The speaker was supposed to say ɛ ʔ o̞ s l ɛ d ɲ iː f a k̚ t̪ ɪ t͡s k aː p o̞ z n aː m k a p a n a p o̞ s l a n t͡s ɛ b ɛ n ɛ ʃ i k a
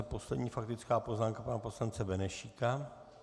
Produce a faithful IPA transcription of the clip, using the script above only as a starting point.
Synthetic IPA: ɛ p o̞ s l ɛ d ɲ iː f a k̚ t̪ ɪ t͡s k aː p o̞ z n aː m k a p a n a p o̞ s l a n t͡s ɛ b ɛ n ɛ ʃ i k a